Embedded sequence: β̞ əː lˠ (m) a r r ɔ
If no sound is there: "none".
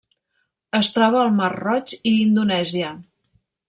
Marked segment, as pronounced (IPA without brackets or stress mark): m